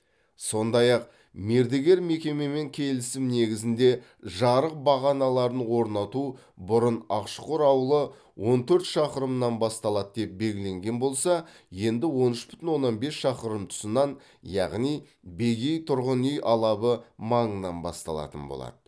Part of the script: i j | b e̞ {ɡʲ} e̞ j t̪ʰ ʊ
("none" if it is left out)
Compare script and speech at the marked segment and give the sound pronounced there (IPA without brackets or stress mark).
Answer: ɡʲ